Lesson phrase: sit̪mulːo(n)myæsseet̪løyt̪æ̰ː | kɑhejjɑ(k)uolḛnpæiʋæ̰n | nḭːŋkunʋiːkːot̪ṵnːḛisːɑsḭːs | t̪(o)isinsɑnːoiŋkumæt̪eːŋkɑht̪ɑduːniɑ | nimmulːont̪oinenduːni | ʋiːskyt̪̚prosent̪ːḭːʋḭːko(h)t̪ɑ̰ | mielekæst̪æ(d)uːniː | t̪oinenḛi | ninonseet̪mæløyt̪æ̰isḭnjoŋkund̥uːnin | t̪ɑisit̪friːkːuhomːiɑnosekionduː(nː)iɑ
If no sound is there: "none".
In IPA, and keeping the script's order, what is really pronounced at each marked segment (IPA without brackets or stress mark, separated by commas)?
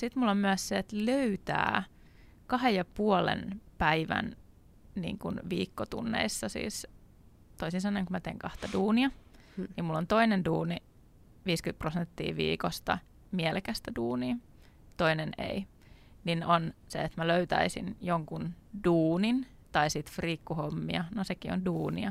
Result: m, p, o, s, d, n